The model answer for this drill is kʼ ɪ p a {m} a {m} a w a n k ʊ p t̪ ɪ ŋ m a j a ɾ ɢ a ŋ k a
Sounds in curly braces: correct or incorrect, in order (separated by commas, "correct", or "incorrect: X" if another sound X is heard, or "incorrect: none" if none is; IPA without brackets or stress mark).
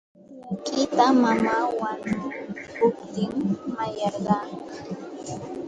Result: correct, correct